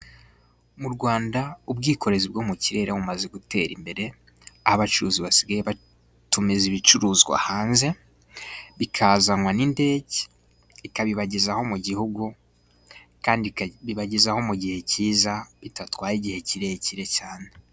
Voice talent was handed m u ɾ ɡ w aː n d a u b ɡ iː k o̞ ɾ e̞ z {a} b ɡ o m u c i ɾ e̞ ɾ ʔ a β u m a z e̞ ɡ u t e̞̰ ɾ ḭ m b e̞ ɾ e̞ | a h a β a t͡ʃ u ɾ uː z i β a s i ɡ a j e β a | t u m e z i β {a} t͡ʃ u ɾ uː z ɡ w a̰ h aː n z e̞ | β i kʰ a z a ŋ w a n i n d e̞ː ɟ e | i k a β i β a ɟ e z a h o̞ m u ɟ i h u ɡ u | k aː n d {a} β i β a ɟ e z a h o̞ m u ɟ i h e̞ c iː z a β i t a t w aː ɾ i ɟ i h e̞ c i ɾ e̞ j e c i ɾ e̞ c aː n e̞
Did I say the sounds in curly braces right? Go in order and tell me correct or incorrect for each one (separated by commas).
incorrect, incorrect, incorrect